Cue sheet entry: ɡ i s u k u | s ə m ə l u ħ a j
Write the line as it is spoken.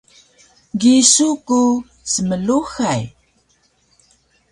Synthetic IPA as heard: ɡ i s u k u | s ə m ə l u x a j